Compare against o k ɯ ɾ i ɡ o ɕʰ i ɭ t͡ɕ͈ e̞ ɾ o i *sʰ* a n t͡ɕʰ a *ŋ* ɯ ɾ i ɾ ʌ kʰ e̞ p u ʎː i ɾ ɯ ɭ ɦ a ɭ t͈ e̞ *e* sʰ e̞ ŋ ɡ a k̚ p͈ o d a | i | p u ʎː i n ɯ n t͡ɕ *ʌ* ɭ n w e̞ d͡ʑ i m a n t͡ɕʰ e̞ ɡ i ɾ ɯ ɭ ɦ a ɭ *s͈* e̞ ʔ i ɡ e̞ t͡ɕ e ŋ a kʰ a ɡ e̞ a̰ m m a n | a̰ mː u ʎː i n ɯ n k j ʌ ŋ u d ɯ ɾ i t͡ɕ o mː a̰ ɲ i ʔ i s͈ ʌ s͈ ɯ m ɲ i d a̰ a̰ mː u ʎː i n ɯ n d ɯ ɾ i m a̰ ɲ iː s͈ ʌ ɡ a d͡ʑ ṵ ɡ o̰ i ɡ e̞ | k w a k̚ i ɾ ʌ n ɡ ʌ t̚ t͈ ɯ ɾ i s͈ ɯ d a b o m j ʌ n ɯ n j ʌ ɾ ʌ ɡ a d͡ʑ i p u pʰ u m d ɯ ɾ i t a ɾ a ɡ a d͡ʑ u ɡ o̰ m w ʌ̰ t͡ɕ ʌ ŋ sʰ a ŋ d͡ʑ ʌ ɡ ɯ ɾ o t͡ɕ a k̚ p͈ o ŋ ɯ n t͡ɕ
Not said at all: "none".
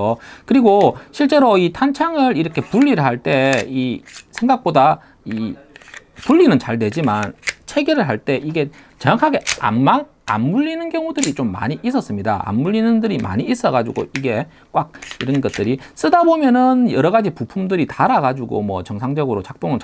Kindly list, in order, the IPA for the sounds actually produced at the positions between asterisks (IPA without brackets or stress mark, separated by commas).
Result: tʰ, ŋ, i, a, t͈